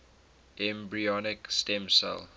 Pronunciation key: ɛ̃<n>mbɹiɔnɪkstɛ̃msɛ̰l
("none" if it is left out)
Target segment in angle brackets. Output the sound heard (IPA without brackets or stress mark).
none